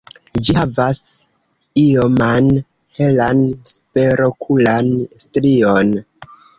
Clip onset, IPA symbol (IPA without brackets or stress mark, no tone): d͡ʒ